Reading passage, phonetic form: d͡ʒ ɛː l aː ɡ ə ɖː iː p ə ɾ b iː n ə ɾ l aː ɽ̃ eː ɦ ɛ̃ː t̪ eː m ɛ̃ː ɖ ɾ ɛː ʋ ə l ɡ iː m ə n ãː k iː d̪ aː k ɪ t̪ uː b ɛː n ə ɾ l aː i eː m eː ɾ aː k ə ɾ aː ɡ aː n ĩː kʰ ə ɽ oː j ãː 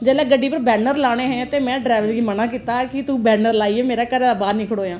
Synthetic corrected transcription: d͡ʒ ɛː l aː ɡ ə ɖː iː p ə ɾ b ɛː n ə ɾ l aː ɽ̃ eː ɦ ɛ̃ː t̪ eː m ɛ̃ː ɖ ɾ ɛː ʋ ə l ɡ iː m ə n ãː k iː t̪ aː k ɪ t̪ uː b ɛː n ə ɾ l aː i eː m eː ɾ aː k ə ɾ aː b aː n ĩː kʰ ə ɽ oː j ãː